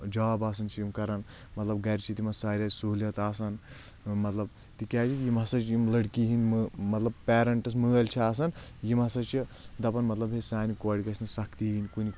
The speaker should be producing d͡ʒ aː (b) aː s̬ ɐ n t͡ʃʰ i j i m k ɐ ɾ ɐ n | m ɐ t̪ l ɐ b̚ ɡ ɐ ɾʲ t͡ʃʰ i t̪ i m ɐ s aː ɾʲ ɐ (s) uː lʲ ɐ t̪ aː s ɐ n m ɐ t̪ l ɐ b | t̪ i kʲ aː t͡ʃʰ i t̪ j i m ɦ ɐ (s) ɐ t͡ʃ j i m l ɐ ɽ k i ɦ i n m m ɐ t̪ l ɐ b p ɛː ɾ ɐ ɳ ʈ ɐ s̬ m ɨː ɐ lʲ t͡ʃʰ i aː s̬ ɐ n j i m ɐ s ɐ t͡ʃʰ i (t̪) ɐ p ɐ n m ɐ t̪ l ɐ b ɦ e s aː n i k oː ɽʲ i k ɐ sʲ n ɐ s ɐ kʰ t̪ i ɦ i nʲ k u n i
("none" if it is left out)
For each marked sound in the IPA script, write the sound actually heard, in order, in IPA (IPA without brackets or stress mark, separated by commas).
b, s, s, d̪